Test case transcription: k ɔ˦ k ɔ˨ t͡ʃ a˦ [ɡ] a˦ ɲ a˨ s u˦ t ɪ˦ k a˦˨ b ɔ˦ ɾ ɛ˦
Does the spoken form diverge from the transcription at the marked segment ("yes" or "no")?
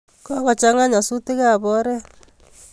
yes